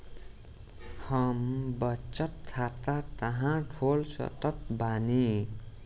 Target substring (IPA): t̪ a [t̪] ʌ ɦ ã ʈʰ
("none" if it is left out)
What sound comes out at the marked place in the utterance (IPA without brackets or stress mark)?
t̪